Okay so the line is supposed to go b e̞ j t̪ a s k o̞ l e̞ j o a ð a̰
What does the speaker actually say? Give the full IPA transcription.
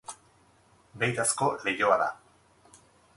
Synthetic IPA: b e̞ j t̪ a s k o̞ l e̞ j o a ð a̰